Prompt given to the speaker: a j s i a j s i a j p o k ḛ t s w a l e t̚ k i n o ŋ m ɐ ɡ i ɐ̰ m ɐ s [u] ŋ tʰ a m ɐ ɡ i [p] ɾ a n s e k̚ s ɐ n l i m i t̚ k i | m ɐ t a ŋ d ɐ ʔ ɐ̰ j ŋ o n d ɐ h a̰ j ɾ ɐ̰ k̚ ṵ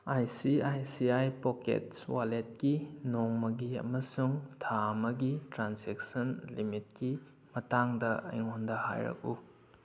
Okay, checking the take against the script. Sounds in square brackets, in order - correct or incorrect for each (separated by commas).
correct, incorrect